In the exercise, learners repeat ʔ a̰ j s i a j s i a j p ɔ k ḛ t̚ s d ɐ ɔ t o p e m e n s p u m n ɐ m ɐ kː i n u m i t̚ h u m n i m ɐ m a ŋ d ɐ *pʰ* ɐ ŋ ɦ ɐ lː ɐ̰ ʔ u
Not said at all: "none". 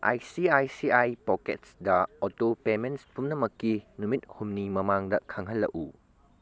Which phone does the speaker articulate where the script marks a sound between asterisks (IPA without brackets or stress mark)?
kʰ